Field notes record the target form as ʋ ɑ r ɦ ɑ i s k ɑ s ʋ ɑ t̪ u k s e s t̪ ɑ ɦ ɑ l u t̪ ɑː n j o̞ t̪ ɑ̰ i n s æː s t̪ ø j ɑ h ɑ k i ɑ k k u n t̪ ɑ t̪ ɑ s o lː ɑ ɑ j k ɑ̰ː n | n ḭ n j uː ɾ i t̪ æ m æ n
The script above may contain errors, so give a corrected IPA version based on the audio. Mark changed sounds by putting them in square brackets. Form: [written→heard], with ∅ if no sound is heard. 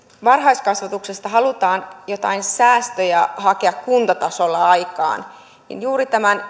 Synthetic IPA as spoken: ʋ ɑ r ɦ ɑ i s k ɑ s ʋ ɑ t̪ u k s e s t̪ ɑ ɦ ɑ l u t̪ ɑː n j o̞ t̪ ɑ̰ i n s æː s t̪ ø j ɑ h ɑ k [i→e] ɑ k k u n t̪ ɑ t̪ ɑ s o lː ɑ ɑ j k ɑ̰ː n | n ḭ n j uː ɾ i t̪ æ m æ n